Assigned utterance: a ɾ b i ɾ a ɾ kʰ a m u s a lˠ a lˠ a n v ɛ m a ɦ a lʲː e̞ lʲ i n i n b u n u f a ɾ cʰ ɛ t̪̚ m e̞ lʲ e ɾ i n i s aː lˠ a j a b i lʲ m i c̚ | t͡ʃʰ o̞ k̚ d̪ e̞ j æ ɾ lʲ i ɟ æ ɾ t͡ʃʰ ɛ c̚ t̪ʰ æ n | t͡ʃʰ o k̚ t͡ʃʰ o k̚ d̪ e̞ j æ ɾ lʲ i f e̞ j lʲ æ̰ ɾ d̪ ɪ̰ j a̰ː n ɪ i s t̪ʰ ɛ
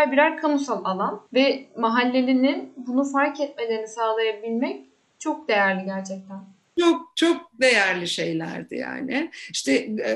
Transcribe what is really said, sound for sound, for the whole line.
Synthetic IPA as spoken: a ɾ b i ɾ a ɾ kʰ a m u s a lˠ a lˠ a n v ɛ m a ɦ a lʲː e̞ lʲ i n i n b u n u f a ɾ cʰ ɛ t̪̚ m e̞ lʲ e ɾ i n i s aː lˠ a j a b i lʲ m ɛ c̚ | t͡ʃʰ o̞ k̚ d̪ e̞ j æ ɾ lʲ i ɟ æ ɾ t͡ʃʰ ɛ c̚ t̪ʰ æ n | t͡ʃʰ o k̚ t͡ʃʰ o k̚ d̪ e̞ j æ ɾ lʲ i ʃ e̞ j lʲ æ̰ ɾ d̪ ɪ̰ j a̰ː n ɪ i ʃ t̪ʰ ɛ